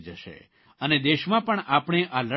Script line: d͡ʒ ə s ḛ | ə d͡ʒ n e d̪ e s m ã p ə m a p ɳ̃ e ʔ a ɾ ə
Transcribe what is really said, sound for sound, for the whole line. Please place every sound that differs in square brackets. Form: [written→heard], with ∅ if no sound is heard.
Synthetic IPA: d͡ʒ ə [s→ʃ] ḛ | ə [d͡ʒ→∅] n e d̪ e [s→ʃ] m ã p ə [m→ɳ] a p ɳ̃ e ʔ a [ɾ→l] ə